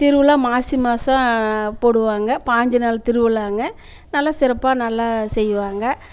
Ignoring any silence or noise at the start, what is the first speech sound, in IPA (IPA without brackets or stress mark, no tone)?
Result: t̪